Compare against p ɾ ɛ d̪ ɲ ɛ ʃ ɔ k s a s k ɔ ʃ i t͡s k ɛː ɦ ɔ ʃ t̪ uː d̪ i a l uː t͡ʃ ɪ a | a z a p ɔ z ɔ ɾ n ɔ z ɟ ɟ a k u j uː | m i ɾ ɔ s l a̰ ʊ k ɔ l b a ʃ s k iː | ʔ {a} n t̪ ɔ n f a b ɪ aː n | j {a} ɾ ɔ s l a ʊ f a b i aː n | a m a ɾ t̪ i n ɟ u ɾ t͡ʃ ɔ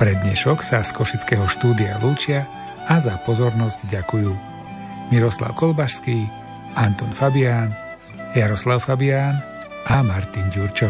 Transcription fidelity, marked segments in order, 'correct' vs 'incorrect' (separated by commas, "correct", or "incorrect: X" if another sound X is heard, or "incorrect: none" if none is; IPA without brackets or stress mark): correct, correct